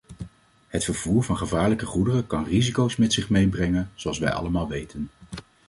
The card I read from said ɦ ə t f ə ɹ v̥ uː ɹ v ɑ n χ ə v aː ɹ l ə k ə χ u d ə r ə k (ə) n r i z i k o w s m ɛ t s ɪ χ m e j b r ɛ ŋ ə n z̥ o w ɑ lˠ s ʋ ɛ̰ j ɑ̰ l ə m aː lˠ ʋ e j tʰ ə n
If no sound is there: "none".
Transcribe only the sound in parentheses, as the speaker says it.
ɑ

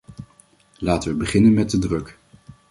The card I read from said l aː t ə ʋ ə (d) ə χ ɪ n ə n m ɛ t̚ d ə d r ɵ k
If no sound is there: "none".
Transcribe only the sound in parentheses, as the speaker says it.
b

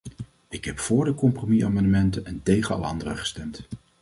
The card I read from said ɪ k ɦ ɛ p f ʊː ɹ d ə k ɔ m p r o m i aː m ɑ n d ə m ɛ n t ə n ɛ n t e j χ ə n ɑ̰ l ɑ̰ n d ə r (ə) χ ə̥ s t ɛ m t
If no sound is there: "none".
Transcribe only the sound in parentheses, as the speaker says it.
ə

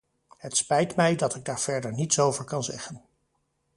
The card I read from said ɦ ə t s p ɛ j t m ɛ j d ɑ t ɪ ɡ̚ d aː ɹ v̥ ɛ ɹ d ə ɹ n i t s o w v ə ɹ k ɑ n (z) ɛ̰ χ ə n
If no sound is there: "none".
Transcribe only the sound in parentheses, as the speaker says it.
z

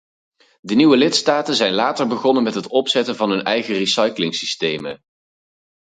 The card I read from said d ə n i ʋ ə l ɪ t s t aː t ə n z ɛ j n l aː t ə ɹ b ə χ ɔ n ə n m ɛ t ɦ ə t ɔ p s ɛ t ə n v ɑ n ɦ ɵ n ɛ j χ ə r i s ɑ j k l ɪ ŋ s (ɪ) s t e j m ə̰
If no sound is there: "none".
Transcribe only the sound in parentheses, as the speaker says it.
i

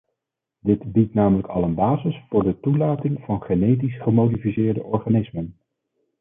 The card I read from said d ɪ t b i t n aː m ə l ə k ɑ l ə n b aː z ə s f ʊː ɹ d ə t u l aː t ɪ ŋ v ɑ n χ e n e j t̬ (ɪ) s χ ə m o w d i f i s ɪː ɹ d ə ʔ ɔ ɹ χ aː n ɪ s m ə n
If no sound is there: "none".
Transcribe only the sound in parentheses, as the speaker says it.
i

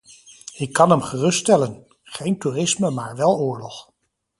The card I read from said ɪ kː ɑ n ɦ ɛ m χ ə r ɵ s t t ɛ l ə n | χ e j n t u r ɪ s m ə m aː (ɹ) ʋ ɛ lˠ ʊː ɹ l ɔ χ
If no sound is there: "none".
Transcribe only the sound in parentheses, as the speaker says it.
ɹ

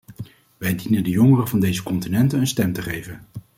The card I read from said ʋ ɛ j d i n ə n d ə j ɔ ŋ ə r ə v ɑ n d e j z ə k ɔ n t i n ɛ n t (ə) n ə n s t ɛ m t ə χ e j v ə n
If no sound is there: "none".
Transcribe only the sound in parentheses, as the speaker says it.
ə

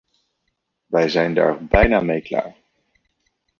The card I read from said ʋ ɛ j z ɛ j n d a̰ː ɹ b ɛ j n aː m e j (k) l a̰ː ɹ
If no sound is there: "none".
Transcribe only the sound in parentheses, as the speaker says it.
k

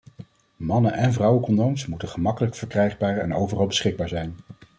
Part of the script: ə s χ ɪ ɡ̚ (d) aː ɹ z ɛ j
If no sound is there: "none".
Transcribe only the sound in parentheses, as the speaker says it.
b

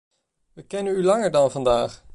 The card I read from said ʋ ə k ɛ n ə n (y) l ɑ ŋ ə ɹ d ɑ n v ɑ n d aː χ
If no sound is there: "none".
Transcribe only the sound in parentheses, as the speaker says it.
y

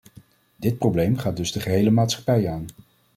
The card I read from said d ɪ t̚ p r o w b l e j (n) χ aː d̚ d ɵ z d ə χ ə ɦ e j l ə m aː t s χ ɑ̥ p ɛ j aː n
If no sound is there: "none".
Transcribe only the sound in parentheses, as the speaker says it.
m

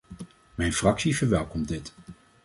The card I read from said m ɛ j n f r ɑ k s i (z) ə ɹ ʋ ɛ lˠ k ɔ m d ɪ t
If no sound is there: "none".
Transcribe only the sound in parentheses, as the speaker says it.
v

